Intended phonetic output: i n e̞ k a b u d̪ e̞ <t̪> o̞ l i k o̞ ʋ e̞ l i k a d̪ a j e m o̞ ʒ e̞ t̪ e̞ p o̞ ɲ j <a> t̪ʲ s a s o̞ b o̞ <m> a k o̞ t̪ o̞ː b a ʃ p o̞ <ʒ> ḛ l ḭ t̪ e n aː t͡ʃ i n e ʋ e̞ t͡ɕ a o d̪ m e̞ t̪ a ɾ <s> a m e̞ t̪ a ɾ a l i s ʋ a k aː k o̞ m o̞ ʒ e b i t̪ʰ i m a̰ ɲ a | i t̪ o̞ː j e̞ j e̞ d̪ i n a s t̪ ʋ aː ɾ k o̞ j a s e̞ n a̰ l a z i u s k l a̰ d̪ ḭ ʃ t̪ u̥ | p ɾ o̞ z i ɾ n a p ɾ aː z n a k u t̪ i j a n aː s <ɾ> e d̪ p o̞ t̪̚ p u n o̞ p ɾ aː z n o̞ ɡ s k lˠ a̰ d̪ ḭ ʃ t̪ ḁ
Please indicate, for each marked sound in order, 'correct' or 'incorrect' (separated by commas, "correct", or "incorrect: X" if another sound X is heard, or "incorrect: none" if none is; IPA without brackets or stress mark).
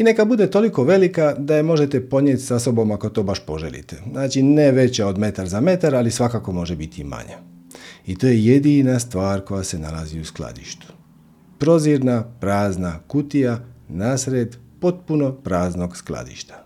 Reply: correct, incorrect: e, correct, correct, incorrect: z, correct